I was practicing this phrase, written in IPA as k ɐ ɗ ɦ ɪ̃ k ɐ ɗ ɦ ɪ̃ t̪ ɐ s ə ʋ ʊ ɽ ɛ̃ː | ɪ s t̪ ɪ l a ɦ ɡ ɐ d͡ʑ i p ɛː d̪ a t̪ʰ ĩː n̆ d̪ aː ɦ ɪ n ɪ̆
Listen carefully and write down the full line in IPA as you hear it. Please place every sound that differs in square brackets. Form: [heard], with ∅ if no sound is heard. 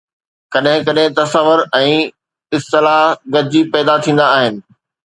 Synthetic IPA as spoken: k ɐ ɗ ɦ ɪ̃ k ɐ ɗ ɦ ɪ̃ t̪ ɐ s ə ʋ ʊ [ɾ] ɛ̃ː | ɪ s t̪ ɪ l a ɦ ɡ ɐ d͡ʑ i p ɛː d̪ a t̪ʰ ĩː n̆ d̪ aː ɦ ɪ n ɪ̆